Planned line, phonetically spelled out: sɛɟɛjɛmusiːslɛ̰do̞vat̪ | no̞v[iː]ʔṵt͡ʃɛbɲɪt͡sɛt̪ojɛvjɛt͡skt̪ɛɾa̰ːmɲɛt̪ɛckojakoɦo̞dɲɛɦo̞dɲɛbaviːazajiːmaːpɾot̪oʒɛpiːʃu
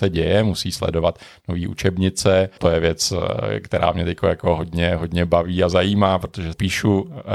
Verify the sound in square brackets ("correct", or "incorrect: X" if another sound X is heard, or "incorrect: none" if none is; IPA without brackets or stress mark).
correct